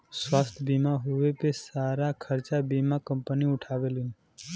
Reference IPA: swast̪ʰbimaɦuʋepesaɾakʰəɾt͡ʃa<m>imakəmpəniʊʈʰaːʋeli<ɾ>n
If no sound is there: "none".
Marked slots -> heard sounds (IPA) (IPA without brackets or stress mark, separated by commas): b, none